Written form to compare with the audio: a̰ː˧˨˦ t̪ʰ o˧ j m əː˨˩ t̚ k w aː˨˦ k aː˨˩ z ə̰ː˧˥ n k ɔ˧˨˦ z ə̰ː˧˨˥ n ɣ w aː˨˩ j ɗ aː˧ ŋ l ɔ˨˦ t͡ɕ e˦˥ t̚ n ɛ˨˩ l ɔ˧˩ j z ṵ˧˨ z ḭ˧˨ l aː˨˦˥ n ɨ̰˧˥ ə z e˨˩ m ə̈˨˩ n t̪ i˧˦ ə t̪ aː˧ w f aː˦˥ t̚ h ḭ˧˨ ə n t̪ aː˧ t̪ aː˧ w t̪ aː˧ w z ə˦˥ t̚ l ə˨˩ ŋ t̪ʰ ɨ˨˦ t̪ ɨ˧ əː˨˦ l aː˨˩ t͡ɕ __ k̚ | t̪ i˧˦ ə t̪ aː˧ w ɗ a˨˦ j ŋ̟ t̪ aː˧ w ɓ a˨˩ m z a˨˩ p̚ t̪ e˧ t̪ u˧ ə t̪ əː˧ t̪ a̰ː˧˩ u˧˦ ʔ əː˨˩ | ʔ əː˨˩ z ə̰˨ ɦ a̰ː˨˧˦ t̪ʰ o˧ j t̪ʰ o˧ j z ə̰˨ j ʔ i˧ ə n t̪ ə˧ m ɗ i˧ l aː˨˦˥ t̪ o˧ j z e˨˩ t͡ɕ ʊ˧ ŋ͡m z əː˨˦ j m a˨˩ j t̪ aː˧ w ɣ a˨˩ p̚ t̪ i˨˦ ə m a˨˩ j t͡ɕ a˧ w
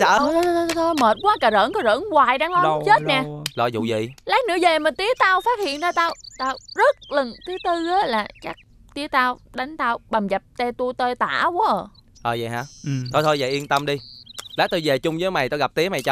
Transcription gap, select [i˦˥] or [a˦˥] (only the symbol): a˦˥